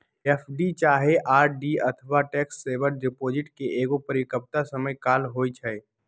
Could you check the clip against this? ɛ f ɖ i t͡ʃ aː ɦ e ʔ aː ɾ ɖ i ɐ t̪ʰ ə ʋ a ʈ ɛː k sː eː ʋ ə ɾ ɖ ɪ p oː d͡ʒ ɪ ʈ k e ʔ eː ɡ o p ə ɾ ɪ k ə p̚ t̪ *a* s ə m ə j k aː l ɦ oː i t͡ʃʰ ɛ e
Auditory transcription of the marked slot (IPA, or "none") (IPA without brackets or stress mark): a